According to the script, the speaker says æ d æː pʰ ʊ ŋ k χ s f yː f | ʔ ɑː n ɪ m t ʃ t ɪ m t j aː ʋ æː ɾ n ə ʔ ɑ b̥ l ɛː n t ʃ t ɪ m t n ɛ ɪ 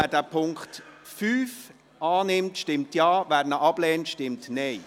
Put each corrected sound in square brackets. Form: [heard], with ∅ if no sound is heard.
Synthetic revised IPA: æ d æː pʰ ʊ ŋ k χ [t] f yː f | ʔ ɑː n ɪ m t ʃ t ɪ m t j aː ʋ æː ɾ n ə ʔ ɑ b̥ l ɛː n t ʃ t ɪ m t n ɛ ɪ